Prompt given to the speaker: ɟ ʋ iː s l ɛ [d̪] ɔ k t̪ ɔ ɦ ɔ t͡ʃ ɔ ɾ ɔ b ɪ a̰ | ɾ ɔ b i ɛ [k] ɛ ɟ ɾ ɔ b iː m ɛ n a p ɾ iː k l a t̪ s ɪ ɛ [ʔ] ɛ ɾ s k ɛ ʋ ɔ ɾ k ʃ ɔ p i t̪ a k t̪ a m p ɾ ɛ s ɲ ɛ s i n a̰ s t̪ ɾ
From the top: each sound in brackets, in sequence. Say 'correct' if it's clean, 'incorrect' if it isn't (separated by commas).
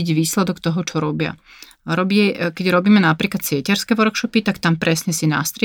correct, correct, incorrect